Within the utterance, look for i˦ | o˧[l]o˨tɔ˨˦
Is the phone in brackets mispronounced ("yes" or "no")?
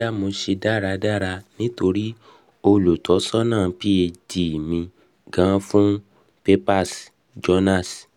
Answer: no